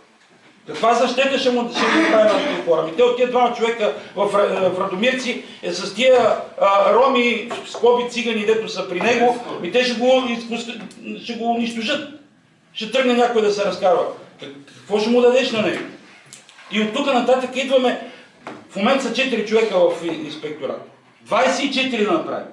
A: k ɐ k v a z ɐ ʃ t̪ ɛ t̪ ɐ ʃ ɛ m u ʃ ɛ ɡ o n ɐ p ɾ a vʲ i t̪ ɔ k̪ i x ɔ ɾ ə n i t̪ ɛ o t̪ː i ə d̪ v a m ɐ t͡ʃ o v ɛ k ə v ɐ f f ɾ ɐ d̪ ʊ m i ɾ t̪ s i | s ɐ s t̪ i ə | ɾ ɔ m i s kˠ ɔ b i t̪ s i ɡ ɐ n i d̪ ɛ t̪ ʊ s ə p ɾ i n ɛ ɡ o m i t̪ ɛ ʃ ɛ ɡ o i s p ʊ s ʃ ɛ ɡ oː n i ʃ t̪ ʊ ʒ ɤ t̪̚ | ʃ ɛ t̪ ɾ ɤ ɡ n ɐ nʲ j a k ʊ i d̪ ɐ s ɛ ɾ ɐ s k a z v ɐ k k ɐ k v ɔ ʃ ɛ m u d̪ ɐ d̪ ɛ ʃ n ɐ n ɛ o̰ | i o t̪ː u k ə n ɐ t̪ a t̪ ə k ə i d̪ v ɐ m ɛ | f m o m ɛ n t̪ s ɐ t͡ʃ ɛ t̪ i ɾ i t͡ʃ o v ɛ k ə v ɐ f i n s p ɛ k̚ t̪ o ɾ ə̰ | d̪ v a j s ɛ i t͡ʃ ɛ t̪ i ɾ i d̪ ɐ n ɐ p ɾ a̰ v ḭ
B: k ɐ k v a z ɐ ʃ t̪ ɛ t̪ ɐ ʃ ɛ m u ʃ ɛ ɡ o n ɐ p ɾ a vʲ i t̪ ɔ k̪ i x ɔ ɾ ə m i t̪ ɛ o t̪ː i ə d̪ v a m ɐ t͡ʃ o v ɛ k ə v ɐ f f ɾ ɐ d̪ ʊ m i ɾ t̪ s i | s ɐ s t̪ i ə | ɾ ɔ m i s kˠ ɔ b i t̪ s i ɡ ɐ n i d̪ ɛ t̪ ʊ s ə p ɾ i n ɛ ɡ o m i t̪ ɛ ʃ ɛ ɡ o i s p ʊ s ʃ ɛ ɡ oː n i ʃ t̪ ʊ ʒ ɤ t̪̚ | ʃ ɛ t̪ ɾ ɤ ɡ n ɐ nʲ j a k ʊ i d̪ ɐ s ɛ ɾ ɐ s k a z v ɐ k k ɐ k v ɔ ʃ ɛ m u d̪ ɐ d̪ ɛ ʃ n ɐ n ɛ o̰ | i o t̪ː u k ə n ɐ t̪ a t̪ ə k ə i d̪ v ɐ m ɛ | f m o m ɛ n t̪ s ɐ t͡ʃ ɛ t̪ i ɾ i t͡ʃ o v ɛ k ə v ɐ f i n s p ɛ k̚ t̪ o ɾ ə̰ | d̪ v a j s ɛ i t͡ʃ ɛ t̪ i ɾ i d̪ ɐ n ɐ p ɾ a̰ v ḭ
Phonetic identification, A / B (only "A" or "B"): B